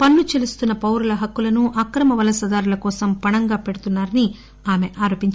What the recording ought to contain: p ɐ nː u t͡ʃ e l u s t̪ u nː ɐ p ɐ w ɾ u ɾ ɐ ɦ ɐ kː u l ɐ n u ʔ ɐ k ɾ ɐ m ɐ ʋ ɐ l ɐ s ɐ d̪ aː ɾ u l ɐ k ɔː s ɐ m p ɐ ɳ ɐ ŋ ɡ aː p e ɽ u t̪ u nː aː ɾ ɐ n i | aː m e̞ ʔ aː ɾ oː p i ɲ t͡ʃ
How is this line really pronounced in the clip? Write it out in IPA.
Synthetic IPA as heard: p ɐ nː u t͡ʃ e l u s t̪ u nː ɐ p ɐ w ɾ u l ɐ ɦ ɐ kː u l ɐ n u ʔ ɐ k ɾ ɐ m ɐ ʋ ɐ l ɐ s ɐ d̪ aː ɾ u l ɐ k ɔː s ɐ m p ɐ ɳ ɐ ŋ ɡ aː p e ɽ u t̪ u nː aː ɾ ɐ n i | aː m e̞ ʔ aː ɾ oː p i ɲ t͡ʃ